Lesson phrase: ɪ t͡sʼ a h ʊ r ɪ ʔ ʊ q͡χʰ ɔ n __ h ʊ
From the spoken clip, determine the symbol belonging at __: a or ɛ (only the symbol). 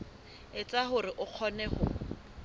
ɛ